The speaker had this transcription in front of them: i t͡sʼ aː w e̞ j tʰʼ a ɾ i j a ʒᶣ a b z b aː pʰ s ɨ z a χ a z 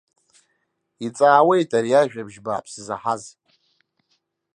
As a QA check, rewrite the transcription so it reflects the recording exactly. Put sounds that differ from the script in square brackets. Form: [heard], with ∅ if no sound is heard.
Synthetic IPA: i t͡sʼ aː w e̞ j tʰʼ a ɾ i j a ʒᶣ a b [ʒ] b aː pʰ s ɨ z a [ħ] a z